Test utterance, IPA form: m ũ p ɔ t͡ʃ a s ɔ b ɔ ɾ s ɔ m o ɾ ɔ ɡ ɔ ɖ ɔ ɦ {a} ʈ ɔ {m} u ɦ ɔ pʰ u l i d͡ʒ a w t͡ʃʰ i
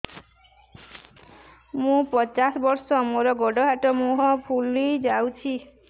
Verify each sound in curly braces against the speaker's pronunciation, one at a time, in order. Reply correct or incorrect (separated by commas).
correct, correct